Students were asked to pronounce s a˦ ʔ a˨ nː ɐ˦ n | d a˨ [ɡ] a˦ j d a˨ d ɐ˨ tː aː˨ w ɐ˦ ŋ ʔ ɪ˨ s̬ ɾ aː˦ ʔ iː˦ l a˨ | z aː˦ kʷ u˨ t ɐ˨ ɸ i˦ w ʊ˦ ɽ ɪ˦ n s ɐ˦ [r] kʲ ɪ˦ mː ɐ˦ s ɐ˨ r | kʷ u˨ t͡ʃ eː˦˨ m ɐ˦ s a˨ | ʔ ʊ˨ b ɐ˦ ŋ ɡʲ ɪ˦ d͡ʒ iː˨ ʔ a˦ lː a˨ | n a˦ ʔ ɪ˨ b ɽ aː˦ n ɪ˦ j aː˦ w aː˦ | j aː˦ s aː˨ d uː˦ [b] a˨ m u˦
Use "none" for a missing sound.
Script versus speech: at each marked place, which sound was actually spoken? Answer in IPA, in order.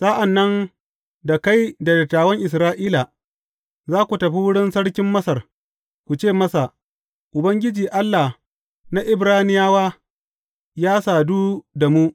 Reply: k, ɽ, d

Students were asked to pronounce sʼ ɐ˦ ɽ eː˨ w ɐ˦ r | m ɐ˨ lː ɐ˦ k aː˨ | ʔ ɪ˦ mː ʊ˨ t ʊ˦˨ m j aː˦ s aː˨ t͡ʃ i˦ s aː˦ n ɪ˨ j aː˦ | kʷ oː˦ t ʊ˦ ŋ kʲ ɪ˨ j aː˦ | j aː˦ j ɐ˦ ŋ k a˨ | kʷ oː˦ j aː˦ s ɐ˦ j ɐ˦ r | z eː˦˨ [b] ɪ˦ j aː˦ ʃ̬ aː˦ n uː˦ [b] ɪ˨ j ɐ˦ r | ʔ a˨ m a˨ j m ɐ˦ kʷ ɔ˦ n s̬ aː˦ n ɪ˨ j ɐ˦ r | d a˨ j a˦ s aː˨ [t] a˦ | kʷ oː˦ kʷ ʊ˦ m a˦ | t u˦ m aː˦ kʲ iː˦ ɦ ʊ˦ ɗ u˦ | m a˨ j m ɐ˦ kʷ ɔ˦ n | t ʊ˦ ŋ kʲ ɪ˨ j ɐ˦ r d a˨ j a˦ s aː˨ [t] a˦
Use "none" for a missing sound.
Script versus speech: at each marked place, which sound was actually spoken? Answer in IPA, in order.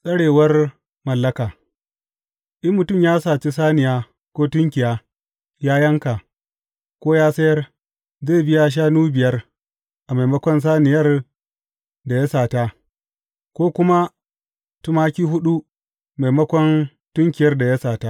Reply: b, b, t, t

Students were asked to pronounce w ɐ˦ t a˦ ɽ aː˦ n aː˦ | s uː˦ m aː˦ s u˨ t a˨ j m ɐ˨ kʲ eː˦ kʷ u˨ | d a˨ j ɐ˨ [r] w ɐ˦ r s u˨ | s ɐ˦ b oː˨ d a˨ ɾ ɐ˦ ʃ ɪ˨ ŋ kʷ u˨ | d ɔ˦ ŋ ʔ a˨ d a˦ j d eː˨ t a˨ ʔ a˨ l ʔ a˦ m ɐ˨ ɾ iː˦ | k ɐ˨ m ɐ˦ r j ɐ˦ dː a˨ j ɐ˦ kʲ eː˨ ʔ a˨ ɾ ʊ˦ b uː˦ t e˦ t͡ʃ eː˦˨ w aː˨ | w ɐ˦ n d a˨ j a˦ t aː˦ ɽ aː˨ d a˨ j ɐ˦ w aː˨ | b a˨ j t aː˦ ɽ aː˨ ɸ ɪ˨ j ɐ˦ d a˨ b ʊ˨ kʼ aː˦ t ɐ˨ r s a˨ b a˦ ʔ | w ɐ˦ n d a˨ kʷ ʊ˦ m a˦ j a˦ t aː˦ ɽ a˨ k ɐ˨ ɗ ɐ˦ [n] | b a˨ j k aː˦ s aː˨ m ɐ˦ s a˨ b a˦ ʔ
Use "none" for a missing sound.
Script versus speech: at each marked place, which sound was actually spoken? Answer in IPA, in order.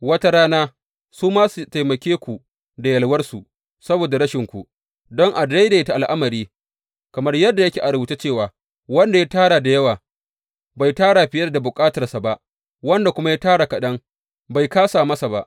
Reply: l, ŋ

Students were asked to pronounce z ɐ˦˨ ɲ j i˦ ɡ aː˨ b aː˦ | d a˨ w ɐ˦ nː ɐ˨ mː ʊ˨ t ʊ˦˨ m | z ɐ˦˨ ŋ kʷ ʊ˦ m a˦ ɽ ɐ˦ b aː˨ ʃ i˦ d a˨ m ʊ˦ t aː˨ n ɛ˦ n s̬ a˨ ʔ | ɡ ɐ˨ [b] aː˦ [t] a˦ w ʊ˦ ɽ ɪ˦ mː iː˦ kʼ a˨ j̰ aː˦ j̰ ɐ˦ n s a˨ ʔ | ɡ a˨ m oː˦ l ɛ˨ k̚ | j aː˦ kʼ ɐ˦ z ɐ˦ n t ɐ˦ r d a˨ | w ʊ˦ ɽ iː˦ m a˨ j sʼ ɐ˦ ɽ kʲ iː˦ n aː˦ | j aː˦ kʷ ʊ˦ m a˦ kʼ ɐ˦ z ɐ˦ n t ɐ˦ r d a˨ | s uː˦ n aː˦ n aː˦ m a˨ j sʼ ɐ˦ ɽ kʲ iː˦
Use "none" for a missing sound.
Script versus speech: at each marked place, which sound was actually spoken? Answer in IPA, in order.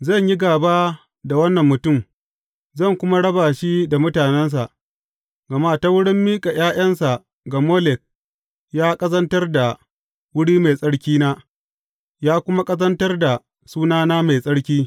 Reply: m, t

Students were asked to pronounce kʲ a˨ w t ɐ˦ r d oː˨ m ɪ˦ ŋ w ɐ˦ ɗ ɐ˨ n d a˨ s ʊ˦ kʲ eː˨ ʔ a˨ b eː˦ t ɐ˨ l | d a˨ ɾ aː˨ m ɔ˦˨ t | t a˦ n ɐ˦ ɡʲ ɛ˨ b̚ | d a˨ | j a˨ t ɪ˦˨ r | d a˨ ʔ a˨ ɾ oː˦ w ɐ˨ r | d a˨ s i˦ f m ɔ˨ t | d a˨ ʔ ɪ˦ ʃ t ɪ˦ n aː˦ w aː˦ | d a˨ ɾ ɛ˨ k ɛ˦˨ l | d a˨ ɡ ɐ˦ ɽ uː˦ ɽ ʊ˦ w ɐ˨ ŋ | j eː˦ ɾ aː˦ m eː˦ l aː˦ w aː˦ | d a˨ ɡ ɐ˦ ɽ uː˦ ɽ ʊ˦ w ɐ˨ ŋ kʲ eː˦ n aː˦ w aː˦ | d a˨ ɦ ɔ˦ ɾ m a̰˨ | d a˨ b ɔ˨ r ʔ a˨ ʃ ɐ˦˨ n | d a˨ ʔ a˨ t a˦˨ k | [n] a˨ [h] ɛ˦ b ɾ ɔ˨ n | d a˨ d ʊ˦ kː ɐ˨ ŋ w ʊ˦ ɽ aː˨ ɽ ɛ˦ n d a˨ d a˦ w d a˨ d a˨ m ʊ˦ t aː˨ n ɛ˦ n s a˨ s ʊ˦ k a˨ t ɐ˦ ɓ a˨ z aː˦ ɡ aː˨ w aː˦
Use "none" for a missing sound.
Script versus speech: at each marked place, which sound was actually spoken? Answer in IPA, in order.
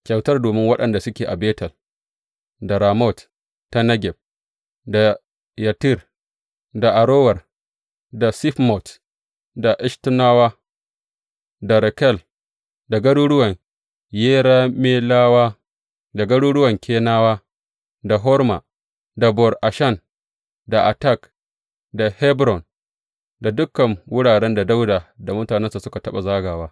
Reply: d, h

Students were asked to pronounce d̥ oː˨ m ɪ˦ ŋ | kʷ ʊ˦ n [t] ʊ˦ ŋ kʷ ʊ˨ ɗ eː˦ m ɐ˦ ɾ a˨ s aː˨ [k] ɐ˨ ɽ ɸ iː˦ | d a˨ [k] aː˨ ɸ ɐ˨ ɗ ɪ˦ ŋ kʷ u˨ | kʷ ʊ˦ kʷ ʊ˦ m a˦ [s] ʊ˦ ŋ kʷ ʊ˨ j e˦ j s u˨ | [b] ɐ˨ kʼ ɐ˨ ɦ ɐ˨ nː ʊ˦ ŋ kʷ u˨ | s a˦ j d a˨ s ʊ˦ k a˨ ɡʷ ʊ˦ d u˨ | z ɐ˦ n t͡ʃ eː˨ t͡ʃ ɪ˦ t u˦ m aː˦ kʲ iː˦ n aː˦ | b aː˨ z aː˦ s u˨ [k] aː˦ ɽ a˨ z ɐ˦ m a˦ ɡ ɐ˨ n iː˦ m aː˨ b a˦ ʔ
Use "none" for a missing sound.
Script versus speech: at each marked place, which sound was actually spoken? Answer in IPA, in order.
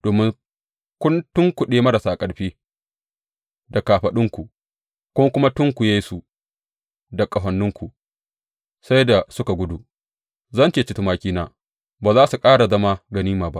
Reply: t, kʼ, k, t, d, kʼ

